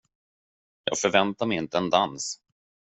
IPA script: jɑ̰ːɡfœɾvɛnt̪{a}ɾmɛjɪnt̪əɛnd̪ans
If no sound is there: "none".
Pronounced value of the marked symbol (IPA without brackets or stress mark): a